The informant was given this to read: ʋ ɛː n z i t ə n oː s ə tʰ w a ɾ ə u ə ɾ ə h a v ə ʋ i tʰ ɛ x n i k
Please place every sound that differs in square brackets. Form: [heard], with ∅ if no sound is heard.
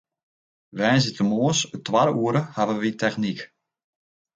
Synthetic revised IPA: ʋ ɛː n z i t ə [m] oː s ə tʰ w a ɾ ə u ə ɾ ə h a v ə ʋ i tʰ ɛ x n i k